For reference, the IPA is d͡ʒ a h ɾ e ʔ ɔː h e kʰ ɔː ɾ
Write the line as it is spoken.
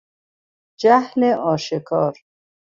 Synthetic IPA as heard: d͡ʒ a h l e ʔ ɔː ʃ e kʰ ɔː ɾ